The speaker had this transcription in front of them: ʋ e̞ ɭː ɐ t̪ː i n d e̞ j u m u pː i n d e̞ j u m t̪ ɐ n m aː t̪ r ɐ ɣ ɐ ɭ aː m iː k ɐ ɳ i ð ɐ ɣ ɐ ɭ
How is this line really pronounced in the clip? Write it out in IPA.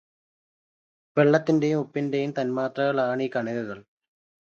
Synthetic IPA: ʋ e̞ ɭː ɐ t̪ː i n d e̞ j u m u pː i n d e̞ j u m t̪ ɐ n m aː t̪ r ɐ ɣ ɐ ɭ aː ɳ iː k ɐ ɳ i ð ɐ ɣ ɐ ɭ